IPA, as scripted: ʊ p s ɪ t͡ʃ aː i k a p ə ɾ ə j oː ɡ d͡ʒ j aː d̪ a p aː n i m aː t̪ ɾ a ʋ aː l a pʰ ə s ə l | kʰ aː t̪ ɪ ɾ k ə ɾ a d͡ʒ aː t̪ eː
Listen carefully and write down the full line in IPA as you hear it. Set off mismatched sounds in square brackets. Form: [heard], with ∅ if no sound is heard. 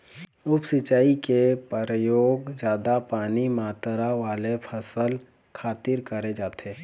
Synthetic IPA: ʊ p s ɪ t͡ʃ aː i k [e] p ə ɾ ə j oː ɡ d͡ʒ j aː d̪ a p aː n i m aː t̪ ɾ a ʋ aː l [e] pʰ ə s ə l | kʰ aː t̪ ɪ ɾ k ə ɾ [e] d͡ʒ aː t̪ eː